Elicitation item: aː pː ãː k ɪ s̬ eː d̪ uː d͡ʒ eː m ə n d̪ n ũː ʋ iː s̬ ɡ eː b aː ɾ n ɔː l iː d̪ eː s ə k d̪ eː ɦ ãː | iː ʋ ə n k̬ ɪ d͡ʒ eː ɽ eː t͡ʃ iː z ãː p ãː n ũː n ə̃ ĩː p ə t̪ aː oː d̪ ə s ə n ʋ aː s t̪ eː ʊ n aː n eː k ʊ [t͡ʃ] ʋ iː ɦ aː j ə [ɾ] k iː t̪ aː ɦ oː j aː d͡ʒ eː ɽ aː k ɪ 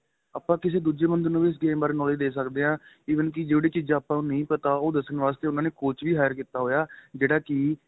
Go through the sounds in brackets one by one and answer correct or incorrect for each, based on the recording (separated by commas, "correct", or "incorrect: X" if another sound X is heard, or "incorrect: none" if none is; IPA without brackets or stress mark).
correct, correct